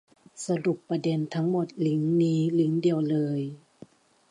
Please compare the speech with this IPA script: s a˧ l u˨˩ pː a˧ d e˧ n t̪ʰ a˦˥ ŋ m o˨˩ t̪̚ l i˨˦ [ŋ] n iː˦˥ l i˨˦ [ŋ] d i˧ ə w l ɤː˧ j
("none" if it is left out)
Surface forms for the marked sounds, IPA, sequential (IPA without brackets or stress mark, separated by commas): ŋ, ŋ